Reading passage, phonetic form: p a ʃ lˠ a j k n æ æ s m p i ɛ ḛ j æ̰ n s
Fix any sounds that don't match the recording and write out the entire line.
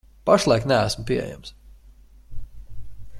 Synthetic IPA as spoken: p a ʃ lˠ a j k n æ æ s m p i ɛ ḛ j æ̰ m s